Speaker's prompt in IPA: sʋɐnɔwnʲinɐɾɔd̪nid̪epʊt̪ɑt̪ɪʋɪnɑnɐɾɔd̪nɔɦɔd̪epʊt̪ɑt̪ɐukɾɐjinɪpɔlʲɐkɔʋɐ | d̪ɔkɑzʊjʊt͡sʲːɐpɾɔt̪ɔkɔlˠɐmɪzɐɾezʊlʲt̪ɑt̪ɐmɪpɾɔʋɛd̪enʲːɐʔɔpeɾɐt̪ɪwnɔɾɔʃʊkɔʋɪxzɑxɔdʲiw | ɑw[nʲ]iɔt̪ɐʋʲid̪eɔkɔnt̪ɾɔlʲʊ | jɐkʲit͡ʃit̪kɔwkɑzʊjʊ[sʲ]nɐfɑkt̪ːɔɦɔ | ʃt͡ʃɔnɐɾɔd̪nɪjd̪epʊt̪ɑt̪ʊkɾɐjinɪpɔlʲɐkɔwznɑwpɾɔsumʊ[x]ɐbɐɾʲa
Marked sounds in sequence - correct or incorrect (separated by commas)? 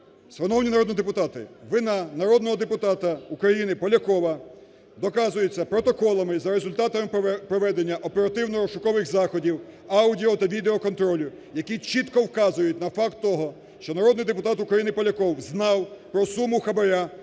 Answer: incorrect, incorrect, correct